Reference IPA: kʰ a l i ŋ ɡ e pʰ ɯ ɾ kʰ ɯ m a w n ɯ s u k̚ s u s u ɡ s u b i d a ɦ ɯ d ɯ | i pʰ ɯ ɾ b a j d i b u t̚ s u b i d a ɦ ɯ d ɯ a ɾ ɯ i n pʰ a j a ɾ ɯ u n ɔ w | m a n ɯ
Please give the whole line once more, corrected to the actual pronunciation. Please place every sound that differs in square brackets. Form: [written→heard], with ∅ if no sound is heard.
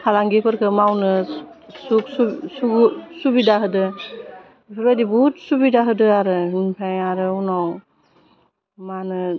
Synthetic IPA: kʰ a l [i→a] ŋ ɡ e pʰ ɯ ɾ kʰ ɯ m a w n ɯ s u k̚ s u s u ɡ s u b i d a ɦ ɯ d ɯ | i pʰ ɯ ɾ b a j d i b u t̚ s u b i d a ɦ ɯ d ɯ a ɾ ɯ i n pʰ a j a ɾ ɯ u n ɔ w | m a n ɯ